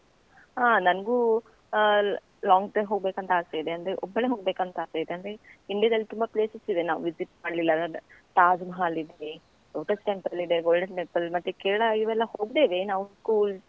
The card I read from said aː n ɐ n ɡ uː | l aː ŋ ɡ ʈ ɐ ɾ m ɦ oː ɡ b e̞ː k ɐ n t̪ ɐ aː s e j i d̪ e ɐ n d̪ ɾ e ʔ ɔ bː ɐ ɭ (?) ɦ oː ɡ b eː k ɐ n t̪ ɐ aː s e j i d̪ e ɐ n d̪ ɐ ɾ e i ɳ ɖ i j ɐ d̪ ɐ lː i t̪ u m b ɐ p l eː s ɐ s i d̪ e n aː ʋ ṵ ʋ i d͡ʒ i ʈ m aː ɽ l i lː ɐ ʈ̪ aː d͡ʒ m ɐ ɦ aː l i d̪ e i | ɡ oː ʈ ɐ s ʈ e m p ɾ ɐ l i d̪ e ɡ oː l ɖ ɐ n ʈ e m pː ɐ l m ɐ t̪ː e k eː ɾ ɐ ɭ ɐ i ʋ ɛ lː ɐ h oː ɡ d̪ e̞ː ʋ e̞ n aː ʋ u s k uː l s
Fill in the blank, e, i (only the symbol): e